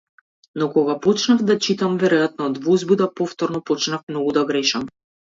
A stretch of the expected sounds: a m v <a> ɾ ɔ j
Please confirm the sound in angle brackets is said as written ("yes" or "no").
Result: no